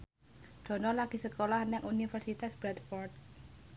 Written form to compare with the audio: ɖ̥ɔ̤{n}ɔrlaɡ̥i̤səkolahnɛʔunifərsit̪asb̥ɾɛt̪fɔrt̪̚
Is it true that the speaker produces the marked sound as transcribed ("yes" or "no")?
yes